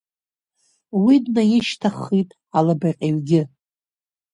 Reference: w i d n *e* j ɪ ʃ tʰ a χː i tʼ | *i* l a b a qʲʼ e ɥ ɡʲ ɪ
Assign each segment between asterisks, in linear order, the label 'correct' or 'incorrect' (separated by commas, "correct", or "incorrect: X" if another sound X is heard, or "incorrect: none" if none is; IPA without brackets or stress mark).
incorrect: a, incorrect: a